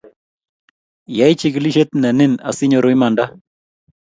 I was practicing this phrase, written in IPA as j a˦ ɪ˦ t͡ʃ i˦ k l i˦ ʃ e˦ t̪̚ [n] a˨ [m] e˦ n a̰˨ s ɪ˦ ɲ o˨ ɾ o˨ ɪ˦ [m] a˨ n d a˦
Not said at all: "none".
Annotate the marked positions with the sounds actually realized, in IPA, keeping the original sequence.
n, n, m

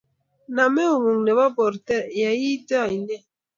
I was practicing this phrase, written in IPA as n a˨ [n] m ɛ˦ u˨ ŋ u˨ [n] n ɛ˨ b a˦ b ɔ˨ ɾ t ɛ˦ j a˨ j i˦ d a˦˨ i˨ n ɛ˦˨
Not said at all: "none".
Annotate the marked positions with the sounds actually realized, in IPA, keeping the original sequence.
none, ŋ

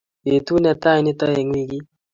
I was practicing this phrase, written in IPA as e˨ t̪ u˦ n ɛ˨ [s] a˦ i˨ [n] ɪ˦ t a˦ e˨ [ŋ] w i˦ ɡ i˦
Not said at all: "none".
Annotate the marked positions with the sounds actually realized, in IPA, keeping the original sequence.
t, n, ŋ

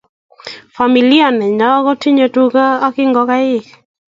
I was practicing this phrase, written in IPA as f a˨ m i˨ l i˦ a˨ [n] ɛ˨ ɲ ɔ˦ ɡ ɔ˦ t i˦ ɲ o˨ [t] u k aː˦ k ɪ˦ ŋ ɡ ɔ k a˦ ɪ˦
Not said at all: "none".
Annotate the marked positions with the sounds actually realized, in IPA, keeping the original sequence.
n, t

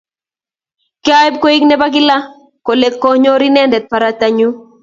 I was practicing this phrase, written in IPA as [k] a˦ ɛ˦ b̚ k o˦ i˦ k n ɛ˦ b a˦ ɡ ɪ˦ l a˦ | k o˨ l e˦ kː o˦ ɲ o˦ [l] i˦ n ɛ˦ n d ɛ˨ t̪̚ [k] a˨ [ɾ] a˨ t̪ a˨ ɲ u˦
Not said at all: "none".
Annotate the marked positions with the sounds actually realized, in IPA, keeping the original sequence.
k, ɾ, p, ɾ

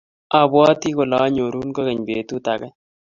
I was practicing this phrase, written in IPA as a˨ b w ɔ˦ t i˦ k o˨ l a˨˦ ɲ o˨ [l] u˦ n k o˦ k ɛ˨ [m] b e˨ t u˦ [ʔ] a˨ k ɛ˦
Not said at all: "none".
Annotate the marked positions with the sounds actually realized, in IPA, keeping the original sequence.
ɾ, ɲ, t

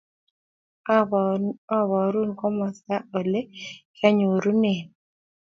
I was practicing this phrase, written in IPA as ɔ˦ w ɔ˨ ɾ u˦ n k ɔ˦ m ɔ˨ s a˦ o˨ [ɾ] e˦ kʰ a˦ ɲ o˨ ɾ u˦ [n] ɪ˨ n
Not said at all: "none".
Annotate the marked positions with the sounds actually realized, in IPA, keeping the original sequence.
l, n

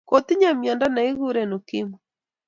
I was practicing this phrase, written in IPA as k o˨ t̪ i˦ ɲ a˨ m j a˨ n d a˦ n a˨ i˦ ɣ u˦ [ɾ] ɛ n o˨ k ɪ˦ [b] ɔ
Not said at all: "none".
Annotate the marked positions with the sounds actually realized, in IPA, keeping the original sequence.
ɾ, m

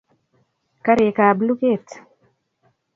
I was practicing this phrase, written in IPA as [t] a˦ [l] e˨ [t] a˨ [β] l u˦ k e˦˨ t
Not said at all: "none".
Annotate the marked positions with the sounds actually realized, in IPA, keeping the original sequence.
k, ɾ, k, b

